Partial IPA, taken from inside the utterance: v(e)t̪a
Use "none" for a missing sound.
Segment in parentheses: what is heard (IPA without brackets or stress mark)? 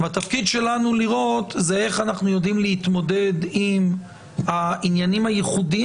a